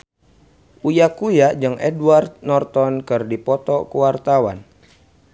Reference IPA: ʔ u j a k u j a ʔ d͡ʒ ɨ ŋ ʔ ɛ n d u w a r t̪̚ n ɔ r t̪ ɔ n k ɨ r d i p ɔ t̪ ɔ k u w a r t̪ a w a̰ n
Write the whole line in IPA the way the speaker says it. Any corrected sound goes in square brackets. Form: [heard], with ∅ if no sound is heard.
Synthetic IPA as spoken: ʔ u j a k u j a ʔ d͡ʒ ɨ ŋ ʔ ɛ [∅] d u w a r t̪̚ n ɔ r t̪ ɔ n k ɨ r d i p ɔ t̪ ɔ k u w a r t̪ a w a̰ n